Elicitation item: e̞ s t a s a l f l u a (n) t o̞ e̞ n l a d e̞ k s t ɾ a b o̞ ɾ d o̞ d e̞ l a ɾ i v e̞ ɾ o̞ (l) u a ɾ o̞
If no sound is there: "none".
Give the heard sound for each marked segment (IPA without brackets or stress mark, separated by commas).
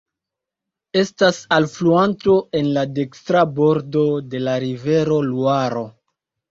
n, l